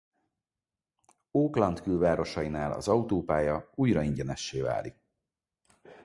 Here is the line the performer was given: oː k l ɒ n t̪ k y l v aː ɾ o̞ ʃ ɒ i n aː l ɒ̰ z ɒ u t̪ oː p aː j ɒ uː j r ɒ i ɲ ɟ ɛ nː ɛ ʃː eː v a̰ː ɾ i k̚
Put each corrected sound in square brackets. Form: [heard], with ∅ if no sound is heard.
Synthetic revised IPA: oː k l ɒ n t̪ k y l v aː ɾ o̞ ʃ ɒ i n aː l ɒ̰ z ɒ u t̪ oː p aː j ɒ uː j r ɒ i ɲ ɟ ɛ [n] ɛ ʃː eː v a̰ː [l] i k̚